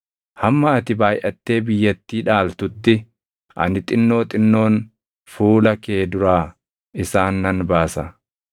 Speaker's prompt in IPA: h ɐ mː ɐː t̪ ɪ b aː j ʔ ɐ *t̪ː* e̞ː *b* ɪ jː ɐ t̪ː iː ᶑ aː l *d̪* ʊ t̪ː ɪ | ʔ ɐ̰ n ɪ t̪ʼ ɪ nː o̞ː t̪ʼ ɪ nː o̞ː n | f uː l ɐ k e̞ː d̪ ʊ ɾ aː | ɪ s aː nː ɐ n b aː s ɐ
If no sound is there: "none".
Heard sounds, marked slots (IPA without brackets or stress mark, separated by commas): t̪ː, b, t̪